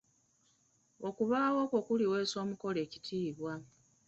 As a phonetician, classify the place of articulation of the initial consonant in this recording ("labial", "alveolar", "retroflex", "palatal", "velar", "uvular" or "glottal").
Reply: velar